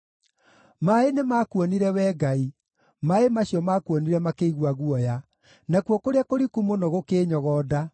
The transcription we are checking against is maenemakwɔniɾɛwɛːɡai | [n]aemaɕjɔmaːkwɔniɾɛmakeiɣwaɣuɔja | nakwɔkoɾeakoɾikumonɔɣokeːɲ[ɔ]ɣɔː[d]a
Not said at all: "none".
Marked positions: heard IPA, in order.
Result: m, ɔ, d

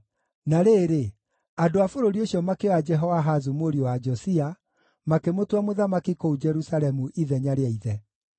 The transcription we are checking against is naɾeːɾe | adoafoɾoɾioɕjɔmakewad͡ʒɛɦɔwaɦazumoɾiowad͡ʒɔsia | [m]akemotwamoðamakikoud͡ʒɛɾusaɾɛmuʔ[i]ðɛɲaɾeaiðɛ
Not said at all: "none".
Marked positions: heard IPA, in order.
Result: m, i

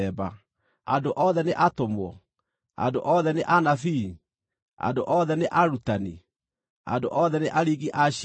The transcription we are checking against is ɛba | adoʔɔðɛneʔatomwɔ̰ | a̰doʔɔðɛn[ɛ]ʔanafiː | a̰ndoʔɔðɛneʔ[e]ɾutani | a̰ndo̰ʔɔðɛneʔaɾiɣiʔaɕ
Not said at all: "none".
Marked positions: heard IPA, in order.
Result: e, a

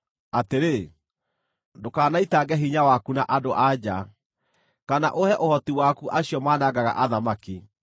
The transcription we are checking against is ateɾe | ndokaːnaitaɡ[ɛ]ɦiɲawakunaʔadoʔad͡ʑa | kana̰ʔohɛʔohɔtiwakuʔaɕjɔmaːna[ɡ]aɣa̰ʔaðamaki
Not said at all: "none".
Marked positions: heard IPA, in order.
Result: ɛ, ɡ

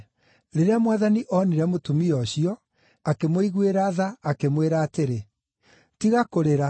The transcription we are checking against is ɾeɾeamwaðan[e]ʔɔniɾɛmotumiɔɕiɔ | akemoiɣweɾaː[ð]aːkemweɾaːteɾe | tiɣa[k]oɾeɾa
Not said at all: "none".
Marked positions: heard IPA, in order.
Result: i, ð, k

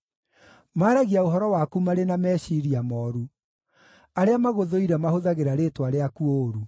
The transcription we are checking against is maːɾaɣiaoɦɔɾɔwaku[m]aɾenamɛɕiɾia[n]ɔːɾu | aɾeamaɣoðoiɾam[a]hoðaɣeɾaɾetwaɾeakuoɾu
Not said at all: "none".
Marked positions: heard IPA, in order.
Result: m, m, a

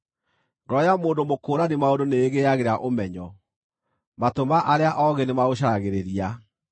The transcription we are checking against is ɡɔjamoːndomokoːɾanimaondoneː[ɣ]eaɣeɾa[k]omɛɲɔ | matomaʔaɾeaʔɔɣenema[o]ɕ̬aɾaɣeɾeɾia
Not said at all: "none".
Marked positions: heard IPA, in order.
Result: ɣ, ʔ, o

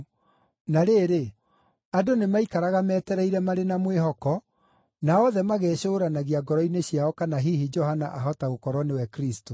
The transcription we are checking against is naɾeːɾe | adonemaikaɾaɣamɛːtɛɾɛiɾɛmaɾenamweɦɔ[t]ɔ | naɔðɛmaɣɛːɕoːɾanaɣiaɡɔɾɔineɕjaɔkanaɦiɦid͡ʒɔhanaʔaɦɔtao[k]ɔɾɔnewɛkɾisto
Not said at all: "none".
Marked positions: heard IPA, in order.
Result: k, k

